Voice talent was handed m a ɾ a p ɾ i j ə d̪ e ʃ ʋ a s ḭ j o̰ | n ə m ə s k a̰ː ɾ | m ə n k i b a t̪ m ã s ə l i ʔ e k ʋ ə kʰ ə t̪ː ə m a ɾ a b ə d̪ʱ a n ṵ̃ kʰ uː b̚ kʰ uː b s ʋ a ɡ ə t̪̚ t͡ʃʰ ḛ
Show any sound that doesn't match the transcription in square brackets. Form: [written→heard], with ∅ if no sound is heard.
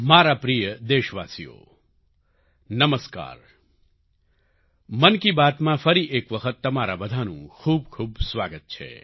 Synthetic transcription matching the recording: m a ɾ a p ɾ i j ə d̪ e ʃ ʋ a s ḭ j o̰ | n ə m ə s k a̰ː ɾ | m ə n k i b a t̪ m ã [s→f] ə [l→ɾ] i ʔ e k ʋ ə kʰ ə t̪ː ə m a ɾ a b ə d̪ʱ a n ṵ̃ kʰ uː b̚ kʰ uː b s ʋ a ɡ ə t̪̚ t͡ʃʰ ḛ